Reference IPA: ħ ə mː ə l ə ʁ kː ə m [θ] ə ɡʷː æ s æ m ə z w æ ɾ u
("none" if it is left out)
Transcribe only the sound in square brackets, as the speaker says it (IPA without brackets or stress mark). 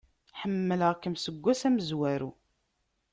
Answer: s